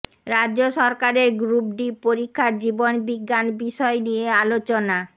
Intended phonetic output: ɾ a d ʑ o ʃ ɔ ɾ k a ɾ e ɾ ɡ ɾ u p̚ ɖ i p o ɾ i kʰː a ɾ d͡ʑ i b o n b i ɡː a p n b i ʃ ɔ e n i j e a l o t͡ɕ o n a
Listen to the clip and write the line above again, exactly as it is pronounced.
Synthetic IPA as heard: ɾ a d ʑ o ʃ ɔ ɾ k a ɾ e ɾ ɡ ɾ u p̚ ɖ i p o ɾ i kʰː a ɾ d͡ʑ i b o n b i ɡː a n b i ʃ ɔ e n i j e a l o t͡ɕ o n a